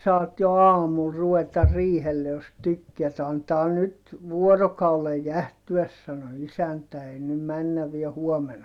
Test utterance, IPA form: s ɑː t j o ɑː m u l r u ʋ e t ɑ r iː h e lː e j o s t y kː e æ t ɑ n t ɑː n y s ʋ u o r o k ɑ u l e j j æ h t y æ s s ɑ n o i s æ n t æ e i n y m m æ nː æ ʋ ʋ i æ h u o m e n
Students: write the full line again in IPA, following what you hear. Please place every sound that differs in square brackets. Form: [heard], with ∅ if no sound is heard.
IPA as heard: s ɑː t j o ɑː m u l r u ʋ e t ɑ r iː h e lː e j o s t y kː e æ t ɑ n t ɑː n y [t] ʋ u o r o k ɑ u l e j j æ h t y æ s s ɑ n o i s æ n t æ e i n y m m æ nː æ ʋ ʋ i æ h u o m e n